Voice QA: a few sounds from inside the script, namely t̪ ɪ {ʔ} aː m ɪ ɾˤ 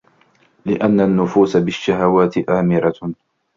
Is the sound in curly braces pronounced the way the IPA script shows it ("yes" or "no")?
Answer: yes